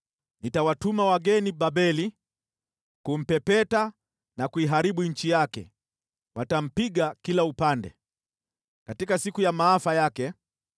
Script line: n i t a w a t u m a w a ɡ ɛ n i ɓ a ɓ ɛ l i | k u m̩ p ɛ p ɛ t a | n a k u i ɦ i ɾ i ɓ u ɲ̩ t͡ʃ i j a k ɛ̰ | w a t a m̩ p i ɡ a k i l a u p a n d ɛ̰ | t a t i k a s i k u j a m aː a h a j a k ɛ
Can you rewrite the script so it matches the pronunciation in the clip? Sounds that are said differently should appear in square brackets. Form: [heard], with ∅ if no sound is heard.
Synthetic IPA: n i t a w a t u m a w a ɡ ɛ n i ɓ a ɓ ɛ l i | k u m̩ p ɛ p ɛ t a | n a k u i ɦ [a] ɾ i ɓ u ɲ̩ t͡ʃ i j a k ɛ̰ | w a t a m̩ p i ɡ a k i l a u p a n d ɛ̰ | [k] a t i k a s i k u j a m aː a [f] a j a k ɛ